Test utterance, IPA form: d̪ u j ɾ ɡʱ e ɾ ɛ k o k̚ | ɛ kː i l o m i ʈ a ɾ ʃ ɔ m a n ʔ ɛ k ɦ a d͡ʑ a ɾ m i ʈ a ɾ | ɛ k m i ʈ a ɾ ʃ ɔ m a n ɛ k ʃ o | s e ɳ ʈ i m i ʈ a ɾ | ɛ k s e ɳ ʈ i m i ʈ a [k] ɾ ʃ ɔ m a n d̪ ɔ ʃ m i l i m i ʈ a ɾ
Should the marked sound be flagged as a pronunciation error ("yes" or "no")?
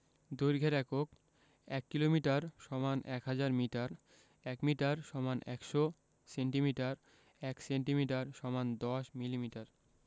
yes